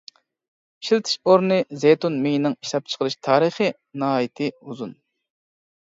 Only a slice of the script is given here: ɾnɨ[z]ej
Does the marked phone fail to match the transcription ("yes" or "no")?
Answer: no